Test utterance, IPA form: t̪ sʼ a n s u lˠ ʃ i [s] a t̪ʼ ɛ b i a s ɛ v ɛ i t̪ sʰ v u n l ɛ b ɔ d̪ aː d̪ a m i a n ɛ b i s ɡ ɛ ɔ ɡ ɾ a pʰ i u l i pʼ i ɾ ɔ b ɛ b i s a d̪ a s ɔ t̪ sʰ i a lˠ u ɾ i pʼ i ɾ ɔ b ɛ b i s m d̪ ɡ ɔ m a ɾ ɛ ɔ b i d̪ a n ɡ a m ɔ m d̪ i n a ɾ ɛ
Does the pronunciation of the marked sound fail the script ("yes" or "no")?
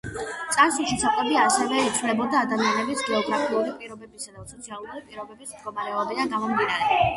no